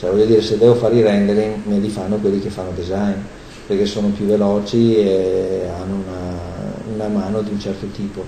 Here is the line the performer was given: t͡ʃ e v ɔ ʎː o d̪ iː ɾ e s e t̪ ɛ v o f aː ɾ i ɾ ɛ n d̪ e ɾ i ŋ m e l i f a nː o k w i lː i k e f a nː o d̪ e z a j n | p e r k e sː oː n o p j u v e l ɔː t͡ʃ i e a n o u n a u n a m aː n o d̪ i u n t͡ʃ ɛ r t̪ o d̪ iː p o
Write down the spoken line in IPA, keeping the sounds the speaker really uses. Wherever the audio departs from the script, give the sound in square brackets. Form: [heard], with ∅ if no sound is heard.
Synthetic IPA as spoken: t͡ʃ [ɛ] v ɔ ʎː o d̪ iː ɾ e s e [d̪] ɛ v o f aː ɾ i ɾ ɛ n d̪ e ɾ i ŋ m e l i f a nː o k w [e] lː i k e f a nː o d̪ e z a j n | p e r k e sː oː n o p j u v e l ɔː t͡ʃ i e a [nː] o u n a u n a m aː n o d̪ i u n t͡ʃ ɛ r t̪ o [t̪] iː p o